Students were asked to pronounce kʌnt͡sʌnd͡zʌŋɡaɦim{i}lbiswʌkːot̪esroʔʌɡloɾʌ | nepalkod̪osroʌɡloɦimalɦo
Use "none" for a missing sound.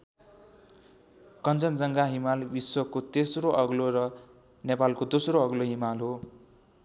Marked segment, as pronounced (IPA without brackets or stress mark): a